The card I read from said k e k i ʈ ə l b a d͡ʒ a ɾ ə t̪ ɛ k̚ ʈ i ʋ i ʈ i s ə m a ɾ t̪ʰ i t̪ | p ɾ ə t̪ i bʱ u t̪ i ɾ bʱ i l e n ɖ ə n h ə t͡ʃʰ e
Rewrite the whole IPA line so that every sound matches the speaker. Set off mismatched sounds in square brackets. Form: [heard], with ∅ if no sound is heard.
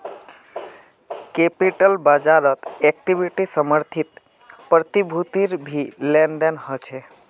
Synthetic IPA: k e [p] i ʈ ə l b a d͡ʒ a ɾ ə t̪ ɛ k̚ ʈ i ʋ i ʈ i s ə m [ə] ɾ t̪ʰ i t̪ | p ɾ ə t̪ i bʱ u t̪ i ɾ bʱ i l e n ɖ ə n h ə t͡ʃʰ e